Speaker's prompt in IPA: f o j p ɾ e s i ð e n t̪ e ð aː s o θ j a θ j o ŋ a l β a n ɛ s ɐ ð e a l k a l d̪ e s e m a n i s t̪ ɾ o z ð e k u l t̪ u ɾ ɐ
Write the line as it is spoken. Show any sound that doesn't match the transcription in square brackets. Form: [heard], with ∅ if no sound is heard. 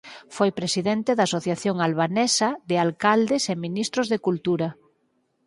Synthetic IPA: f o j p ɾ e s i ð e n t̪ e ð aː s o θ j a θ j o ŋ a l β a n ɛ s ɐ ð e a l k a l d̪ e s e m [i] n i s t̪ ɾ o z ð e k u l t̪ u ɾ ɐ